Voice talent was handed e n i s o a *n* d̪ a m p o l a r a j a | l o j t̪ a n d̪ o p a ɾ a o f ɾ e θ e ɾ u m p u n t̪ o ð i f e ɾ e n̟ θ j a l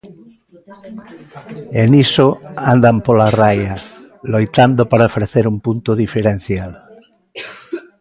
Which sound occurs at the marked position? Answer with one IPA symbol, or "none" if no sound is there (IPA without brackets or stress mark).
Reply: n